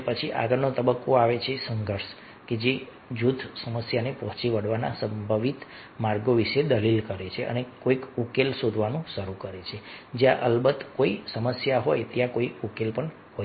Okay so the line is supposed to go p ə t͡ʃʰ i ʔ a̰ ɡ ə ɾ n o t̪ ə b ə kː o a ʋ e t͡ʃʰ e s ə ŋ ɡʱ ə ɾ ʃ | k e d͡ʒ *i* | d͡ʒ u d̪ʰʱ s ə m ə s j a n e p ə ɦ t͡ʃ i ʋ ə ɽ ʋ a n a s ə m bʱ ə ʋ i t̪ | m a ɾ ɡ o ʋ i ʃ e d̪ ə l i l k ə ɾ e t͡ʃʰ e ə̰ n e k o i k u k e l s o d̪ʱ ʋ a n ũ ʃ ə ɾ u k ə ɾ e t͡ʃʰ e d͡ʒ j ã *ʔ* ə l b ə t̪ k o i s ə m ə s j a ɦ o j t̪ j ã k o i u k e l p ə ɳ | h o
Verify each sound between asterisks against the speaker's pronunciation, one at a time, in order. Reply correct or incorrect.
incorrect, correct

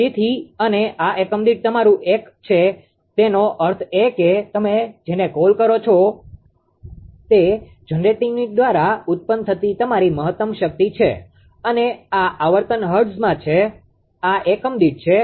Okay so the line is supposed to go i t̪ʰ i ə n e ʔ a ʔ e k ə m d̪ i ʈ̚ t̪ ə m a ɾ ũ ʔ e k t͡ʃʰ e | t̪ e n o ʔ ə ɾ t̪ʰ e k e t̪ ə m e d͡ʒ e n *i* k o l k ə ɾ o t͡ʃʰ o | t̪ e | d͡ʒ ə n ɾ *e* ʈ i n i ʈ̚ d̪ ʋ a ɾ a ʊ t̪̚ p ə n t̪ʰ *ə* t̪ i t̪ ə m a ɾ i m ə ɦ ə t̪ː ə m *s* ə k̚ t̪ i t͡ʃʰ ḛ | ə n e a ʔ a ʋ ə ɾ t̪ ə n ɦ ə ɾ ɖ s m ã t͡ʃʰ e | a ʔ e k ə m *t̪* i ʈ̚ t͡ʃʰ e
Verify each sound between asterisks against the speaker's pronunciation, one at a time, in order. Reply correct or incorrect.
incorrect, correct, correct, incorrect, incorrect

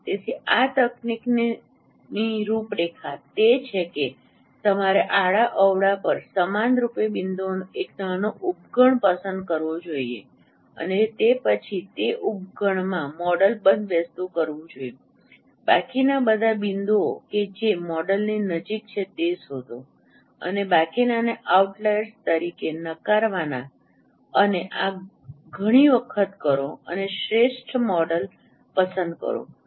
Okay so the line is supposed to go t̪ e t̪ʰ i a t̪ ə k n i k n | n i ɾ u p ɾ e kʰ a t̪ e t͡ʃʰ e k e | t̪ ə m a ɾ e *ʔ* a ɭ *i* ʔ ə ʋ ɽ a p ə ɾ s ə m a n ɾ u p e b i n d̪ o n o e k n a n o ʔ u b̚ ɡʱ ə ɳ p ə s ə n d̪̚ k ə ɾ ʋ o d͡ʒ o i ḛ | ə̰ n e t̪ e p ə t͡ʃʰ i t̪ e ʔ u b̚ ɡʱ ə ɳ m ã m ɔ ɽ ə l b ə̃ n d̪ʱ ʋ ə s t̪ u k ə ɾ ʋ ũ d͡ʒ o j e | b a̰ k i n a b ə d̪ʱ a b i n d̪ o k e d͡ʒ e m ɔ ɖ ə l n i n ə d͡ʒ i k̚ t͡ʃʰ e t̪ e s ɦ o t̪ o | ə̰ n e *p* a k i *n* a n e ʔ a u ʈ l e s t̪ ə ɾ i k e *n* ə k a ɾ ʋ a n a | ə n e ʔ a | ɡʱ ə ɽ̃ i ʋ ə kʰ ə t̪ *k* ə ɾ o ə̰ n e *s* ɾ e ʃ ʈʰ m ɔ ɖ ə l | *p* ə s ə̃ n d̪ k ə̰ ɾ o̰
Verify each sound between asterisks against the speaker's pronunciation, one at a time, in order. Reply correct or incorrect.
correct, incorrect, incorrect, correct, correct, correct, incorrect, correct

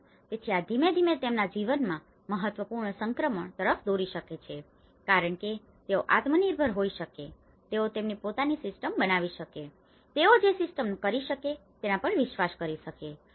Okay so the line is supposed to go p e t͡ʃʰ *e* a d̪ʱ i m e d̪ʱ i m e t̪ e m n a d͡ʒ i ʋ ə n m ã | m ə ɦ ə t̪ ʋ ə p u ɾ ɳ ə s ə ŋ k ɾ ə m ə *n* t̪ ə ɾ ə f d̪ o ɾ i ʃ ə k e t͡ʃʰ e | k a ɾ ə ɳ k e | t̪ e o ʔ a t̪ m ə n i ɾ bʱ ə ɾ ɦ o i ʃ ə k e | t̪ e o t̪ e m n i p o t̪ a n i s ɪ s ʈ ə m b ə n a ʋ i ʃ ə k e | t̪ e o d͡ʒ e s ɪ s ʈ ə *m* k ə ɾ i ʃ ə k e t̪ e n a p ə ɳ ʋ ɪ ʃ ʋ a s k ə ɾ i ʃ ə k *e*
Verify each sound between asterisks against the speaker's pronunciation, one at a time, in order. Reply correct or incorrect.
incorrect, incorrect, correct, correct

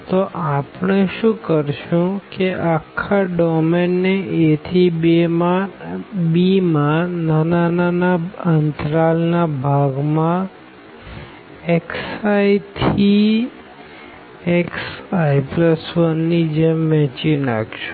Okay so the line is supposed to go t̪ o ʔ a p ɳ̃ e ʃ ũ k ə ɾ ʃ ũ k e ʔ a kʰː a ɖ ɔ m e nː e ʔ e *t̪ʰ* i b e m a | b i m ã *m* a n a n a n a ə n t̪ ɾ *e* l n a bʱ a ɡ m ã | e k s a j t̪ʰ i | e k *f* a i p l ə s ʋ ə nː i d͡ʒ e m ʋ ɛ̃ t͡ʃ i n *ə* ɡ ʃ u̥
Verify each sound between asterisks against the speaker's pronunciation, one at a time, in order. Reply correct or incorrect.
correct, incorrect, incorrect, incorrect, incorrect

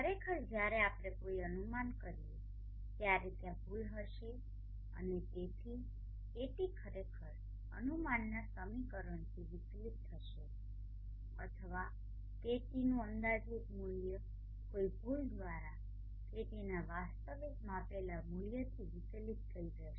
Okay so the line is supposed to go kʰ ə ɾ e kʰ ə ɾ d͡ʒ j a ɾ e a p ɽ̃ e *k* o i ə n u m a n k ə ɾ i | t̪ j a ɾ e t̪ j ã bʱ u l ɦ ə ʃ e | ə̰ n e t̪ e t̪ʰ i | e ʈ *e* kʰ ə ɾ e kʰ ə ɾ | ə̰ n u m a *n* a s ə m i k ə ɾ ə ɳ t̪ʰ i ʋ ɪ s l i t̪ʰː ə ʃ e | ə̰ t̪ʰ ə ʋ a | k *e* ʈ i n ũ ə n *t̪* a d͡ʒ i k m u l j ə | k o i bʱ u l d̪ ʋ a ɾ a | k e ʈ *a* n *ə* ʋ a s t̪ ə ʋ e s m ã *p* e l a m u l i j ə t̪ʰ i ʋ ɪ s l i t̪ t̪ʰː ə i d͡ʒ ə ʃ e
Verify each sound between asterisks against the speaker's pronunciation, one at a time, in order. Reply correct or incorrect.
correct, incorrect, incorrect, correct, incorrect, incorrect, incorrect, correct

